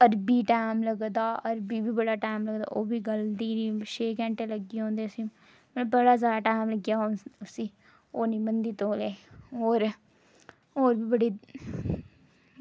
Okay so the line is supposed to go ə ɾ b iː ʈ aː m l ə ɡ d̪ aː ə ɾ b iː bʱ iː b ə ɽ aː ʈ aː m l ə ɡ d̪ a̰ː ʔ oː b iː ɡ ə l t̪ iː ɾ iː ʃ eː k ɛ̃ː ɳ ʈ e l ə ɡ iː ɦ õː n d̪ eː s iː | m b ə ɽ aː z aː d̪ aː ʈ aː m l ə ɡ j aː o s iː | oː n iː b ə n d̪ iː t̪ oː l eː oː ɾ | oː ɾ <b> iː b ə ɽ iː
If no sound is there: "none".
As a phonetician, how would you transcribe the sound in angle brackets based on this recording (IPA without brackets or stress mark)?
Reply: b